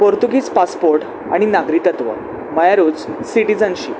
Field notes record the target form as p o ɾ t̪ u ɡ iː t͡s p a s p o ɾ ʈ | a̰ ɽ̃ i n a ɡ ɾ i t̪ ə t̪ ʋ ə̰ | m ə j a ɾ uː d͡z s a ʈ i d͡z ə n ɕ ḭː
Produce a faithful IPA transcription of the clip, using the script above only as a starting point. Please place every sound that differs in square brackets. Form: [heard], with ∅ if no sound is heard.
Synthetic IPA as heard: p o ɾ t̪ u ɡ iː t͡s p a s p o ɾ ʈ | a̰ ɽ̃ i n a ɡ ɾ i t̪ ə t̪ ʋ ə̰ | m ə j a ɾ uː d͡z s [i] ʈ i d͡z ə n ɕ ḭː